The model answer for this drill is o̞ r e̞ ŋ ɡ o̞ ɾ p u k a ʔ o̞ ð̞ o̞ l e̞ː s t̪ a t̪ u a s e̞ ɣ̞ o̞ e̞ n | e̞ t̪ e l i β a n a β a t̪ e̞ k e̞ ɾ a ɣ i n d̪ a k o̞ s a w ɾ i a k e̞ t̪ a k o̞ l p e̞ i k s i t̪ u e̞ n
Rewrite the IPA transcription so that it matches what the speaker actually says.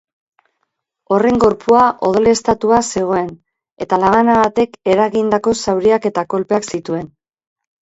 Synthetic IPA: o̞ r e̞ ŋ ɡ o̞ ɾ p u a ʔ o̞ ð̞ o̞ l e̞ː s t̪ a t̪ u a s e̞ ɣ̞ o̞ e̞ n | e̞ t̪ a l a β a n a β a t̪ e̞ k e̞ ɾ a ɣ i n d̪ a k o̞ s a w ɾ i a k e̞ t̪ a k o̞ l p e̞ a k s i t̪ u e̞ n